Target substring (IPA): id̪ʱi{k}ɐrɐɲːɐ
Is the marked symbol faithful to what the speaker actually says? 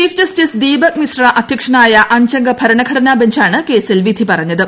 no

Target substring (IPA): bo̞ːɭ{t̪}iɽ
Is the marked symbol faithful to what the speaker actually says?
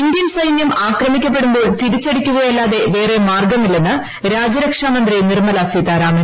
yes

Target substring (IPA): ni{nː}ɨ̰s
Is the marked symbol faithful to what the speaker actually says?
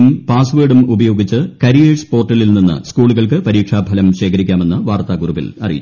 yes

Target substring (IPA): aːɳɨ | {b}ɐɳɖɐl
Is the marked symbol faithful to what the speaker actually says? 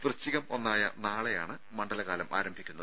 no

